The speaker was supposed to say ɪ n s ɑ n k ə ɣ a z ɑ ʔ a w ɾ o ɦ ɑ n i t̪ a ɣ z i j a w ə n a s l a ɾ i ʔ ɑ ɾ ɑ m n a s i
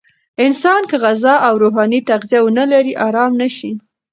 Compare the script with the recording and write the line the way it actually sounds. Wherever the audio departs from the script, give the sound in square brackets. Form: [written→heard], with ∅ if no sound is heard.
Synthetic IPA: ɪ n s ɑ n k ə ɣ a z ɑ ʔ a w ɾ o ɦ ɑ n i t̪ a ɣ z i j a w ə n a [s→∅] l a ɾ i ʔ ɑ ɾ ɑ m n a [s→ʃ] i